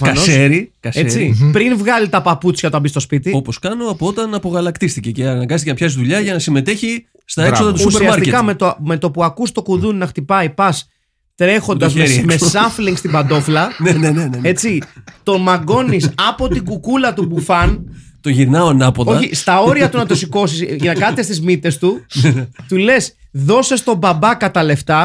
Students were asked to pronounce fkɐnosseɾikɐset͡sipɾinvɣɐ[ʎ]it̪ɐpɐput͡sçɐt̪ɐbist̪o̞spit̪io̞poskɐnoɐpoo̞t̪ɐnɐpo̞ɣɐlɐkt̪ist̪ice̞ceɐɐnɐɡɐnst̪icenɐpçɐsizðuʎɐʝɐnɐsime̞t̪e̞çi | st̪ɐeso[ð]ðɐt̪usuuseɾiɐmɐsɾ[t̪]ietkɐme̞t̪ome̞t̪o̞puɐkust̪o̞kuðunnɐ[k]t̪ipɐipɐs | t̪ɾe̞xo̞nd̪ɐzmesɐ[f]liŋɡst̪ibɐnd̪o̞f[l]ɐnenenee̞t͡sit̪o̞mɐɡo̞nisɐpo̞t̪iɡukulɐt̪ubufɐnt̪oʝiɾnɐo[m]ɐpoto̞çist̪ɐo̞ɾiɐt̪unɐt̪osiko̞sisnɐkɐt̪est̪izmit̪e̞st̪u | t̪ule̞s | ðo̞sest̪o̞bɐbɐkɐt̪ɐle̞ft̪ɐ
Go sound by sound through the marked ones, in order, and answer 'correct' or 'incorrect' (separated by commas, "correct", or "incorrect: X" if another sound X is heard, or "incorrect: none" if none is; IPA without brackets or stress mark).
incorrect: l, correct, correct, incorrect: x, correct, correct, incorrect: n